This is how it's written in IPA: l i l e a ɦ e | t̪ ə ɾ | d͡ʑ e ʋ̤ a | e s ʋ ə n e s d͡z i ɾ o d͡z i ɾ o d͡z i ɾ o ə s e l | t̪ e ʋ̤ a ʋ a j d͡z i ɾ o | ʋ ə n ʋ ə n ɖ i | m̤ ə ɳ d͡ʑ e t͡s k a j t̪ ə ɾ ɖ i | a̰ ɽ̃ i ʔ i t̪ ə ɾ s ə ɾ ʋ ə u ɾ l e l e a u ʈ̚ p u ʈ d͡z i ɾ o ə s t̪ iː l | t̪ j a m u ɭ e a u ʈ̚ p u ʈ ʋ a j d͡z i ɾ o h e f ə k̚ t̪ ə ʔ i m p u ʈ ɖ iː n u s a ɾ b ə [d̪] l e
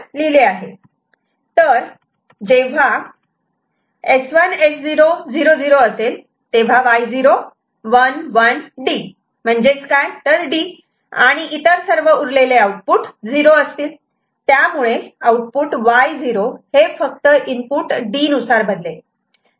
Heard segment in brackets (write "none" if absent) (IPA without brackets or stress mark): d̪